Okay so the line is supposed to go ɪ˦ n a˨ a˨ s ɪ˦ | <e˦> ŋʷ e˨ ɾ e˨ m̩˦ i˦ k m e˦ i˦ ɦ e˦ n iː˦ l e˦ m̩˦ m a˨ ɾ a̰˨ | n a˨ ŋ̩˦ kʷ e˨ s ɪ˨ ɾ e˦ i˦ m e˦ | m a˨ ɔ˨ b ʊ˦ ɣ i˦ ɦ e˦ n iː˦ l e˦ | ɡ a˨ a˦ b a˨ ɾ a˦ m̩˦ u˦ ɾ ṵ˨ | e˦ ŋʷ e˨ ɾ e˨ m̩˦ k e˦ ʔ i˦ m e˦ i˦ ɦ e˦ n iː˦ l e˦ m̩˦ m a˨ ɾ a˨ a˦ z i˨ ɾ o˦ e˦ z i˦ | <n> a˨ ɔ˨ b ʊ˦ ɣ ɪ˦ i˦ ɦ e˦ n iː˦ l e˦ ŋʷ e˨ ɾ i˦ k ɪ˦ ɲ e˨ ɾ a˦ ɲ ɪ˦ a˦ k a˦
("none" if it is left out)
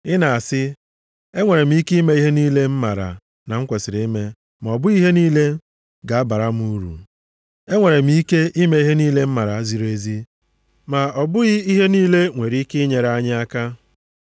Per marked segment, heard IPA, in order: e˦, m

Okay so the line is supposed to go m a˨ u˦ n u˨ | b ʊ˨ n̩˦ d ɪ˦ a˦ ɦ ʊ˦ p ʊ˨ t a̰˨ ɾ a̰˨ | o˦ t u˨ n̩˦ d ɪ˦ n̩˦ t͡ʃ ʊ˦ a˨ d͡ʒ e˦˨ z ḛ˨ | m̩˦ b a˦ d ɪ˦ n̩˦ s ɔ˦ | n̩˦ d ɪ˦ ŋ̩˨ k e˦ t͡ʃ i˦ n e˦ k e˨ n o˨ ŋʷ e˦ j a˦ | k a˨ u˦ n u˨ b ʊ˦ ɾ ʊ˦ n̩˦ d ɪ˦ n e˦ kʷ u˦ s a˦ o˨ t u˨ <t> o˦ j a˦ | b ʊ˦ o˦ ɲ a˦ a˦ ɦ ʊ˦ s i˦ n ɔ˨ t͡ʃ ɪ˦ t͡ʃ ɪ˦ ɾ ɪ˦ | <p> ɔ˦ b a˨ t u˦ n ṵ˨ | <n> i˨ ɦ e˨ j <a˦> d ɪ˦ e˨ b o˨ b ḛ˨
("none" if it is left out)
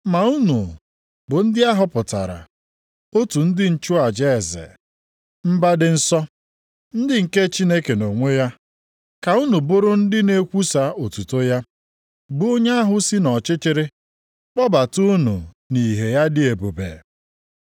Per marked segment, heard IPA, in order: t, k͡p, n, a˦

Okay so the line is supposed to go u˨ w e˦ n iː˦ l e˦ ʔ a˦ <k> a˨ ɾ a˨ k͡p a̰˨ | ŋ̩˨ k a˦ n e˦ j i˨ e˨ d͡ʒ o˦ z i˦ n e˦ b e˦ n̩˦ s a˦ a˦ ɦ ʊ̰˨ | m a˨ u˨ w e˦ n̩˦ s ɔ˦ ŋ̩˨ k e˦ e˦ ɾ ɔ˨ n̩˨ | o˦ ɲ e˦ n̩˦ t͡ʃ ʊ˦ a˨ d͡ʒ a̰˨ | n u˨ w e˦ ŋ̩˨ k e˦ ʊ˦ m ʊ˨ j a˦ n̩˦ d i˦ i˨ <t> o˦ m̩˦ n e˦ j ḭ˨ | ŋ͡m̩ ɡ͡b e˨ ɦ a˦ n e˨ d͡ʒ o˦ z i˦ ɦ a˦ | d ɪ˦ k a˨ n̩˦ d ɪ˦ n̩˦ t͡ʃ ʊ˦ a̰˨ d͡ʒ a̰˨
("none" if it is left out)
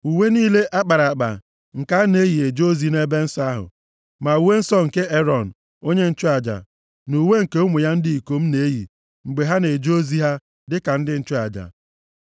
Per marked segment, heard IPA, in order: k͡p, k

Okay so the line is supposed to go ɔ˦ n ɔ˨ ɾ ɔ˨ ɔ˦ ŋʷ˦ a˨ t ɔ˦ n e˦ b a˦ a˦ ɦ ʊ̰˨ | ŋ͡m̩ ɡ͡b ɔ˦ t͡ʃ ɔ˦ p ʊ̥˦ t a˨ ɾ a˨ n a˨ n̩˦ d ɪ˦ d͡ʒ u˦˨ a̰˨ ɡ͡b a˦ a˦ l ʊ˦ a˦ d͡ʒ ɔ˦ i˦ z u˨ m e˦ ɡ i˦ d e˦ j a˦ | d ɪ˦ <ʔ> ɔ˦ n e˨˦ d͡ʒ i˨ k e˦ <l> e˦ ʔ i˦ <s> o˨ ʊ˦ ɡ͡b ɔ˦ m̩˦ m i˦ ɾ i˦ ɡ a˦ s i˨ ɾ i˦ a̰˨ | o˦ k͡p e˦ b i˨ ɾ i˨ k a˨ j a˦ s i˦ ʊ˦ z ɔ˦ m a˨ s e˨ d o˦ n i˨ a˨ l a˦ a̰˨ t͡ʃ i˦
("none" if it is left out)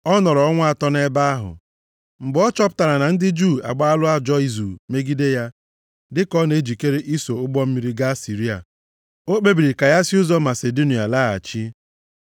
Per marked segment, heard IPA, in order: k, ɾ, s

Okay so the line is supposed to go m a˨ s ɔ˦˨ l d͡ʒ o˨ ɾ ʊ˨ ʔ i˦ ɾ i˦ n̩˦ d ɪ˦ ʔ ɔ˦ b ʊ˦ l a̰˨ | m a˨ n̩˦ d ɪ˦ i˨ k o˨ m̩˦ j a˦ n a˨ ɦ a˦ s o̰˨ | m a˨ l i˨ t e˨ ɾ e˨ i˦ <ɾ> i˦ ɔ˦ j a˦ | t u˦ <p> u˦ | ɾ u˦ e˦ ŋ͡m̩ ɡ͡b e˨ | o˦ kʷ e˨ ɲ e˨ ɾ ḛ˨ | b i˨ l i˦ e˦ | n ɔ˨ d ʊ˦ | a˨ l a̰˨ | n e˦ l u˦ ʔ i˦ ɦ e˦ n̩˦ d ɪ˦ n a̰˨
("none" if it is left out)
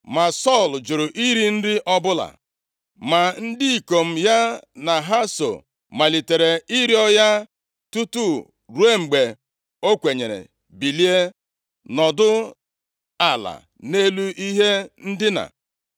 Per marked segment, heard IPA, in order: ɾ, t

